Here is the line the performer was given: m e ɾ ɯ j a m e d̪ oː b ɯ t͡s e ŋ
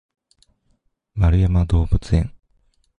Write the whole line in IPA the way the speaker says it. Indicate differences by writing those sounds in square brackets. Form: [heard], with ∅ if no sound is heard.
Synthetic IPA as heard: m [a] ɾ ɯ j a m [a] d̪ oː b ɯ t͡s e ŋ